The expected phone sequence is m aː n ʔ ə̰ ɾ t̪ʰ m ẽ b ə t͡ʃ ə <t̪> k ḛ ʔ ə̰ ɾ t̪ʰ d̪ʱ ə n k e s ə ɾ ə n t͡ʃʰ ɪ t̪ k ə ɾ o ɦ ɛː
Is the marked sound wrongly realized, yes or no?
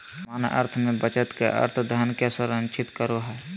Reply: no